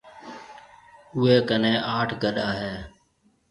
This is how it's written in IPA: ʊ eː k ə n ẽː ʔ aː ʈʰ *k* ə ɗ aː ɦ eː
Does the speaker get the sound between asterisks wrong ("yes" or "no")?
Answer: yes